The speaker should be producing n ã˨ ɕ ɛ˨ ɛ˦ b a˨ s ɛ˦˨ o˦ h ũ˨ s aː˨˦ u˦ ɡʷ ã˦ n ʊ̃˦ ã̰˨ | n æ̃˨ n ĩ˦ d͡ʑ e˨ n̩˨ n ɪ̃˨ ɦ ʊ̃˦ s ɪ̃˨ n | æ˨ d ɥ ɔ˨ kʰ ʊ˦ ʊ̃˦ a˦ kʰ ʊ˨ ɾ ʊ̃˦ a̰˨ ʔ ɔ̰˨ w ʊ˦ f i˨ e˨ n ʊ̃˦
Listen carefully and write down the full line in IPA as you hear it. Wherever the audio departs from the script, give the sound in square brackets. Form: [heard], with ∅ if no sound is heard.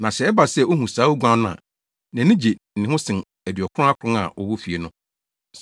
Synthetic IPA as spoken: n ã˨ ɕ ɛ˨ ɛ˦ b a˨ s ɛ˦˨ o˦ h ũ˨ s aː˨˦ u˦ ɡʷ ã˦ n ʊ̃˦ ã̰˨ | n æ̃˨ n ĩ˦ d͡ʑ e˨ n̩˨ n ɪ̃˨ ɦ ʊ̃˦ s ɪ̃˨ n | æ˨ d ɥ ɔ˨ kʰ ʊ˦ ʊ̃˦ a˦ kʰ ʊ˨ ɾ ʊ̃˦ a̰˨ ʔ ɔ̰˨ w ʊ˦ f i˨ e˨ n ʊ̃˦